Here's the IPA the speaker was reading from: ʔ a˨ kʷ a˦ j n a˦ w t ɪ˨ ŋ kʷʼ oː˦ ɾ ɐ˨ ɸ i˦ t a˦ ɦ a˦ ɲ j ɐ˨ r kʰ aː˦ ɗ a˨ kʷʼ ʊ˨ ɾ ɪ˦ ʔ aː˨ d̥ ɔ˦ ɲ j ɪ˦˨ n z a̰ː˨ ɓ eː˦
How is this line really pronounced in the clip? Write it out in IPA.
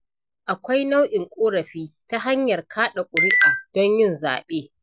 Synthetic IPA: ʔ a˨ kʷ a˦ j n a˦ w ʔ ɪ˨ ŋ kʷʼ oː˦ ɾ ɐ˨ ɸ iː˦ t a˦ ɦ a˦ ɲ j ɐ˨ r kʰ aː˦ ɗ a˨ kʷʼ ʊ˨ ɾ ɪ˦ ʔ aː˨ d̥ ɔ˦ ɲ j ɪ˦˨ n z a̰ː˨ ɓ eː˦